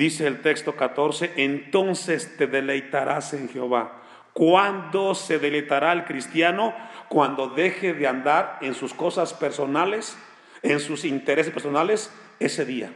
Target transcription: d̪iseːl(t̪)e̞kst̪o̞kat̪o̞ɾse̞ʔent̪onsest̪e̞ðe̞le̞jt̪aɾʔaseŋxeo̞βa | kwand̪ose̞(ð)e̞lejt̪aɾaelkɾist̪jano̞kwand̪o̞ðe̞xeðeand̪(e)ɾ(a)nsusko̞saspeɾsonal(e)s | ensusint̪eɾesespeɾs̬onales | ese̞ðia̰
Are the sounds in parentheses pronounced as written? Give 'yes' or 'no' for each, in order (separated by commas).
yes, yes, no, no, yes